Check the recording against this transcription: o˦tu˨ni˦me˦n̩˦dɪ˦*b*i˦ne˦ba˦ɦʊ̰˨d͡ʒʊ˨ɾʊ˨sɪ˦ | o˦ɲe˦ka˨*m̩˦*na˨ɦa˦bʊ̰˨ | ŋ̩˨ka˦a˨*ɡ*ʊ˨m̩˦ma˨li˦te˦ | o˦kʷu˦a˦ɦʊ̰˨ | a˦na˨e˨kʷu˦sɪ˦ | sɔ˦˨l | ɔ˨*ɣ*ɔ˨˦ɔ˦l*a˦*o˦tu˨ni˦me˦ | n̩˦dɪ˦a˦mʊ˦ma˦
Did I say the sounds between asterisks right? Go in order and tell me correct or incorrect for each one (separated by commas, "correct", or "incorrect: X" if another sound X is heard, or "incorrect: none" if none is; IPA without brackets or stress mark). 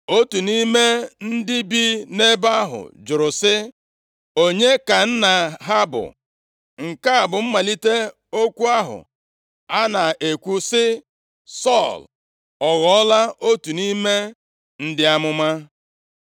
correct, incorrect: n̩˦, incorrect: b, correct, correct